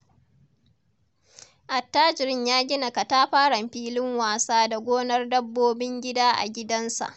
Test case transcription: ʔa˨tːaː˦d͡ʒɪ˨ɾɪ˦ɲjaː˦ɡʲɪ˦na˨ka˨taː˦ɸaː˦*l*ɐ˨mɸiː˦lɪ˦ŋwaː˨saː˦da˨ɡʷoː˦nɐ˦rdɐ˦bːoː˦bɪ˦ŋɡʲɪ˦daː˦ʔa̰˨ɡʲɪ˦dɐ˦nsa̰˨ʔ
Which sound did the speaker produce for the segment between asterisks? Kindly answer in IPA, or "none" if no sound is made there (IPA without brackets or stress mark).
ɽ